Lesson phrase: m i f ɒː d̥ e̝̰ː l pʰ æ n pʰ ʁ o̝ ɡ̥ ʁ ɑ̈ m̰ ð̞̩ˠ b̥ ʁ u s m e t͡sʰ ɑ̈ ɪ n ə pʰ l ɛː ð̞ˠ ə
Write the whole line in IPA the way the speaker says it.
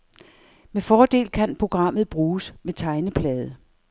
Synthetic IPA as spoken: m e f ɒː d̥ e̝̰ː l kʰ æ n pʰ ʁ o̝ ɡ̥ ʁ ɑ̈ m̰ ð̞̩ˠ b̥ ʁ uː s m e t͡sʰ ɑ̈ ɪ n ə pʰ l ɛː ð̞ˠ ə